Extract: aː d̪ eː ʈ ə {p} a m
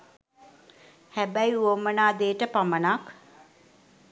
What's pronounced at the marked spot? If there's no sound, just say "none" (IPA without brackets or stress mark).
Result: p